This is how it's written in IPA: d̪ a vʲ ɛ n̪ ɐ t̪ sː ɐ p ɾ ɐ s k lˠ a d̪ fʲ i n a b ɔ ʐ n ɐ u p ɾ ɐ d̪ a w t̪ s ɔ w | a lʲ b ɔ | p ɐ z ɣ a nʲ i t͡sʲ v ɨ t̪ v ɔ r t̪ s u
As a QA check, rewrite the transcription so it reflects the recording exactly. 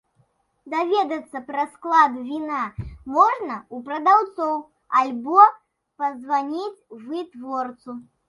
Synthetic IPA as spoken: d̪ a vʲ ɛ d̪ ɐ t̪ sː ɐ p ɾ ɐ s k lˠ a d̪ vʲ i n a m ɔ ʐ n ɐ u p ɾ ɐ d̪ a w t̪ s ɔ w | a lʲ b ɔ | p ɐ z v a nʲ i t͡sʲ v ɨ t̪ v ɔ r t̪ s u

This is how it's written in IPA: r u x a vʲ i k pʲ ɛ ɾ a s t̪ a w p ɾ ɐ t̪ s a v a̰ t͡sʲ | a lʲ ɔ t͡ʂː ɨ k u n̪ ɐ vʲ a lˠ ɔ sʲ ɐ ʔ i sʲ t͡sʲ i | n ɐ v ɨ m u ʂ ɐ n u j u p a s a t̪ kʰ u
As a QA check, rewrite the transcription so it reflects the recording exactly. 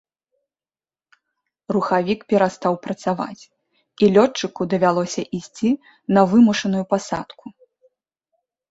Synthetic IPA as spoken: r u x a vʲ i k pʲ ɛ ɾ a s t̪ a w p ɾ ɐ t̪ s a v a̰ t͡sʲ | i lʲ ɔ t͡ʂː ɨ k u d̪ ɐ vʲ a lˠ ɔ sʲ ɐ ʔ i sʲ t͡sʲ i | n ɐ v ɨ m u ʂ ɐ n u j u p a s a t̪ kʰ u

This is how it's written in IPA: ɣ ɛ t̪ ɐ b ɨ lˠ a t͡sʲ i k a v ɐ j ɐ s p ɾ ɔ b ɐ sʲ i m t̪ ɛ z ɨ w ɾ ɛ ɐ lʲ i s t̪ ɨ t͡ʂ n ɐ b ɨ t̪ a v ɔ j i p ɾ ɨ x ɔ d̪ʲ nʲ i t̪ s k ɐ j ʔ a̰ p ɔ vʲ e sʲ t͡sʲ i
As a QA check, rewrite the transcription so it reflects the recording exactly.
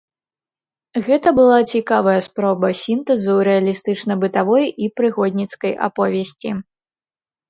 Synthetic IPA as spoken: ɣ ɛ t̪ ɐ b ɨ lˠ a t͡sʲ i k a v ɐ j ɐ s p ɾ ɔ b ɐ sʲ i n t̪ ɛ z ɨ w ɾ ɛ ɐ lʲ i s t̪ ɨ t͡ʂ n ɐ b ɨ t̪ a v ɔ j i p ɾ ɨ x ɔ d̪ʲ nʲ i t̪ s k ɐ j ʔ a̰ p ɔ vʲ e sʲ t͡sʲ i

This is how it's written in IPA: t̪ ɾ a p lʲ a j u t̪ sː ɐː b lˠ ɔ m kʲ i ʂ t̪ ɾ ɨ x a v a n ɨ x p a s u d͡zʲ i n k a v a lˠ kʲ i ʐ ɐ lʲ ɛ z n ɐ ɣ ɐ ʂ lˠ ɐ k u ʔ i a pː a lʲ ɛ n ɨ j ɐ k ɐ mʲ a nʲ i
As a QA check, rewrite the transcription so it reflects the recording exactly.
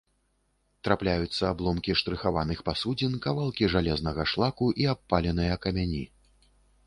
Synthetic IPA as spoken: t̪ ɾ a p lʲ a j u t̪ sː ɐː b lˠ ɔ m kʲ i ʂ t̪ ɾ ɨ x a v a n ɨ x p a s u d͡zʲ i n k a v a lˠ kʲ i ʐ a lʲ ɛ z n ɐ ɣ ɐ ʂ lˠ a k u ʔ i a pː a lʲ ɛ n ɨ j ɐ k ɐ mʲ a nʲ i

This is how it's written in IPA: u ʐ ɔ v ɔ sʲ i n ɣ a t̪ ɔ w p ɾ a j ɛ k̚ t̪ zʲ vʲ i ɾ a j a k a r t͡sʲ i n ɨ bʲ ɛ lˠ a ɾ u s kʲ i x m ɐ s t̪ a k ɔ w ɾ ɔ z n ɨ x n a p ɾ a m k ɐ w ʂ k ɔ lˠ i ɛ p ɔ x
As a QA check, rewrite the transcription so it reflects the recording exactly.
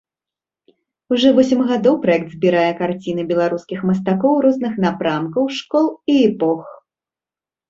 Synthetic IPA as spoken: u ʐ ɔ v ɔ sʲ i m ɣ a d̪ ɔ w p ɾ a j ɛ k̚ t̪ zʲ bʲ i ɾ a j ɛ k a r t͡sʲ i n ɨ bʲ ɛ lˠ a ɾ u s kʲ i x m ɐ s t̪ a k ɔ w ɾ ɔ z n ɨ x n a p ɾ a m k ɐ w ʂ k ɔ lˠ i ɛ p ɔ x

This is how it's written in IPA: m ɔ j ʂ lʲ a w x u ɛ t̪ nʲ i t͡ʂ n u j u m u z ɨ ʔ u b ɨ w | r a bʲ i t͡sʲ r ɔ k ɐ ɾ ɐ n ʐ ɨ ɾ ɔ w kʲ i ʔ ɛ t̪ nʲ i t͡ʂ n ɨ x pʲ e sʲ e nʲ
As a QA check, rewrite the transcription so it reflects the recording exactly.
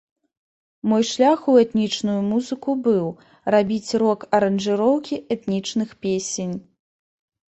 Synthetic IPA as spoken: m ɔ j ʂ lʲ a x u ɛ t̪ nʲ i t͡ʂ n u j u m u z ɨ k u b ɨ w | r a bʲ i t͡sʲ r ɔ k ɐ ɾ ɐ n ʐ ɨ ɾ ɔ w kʲ i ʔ ɛ t̪ nʲ i t͡ʂ n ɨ x pʲ e sʲ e nʲ

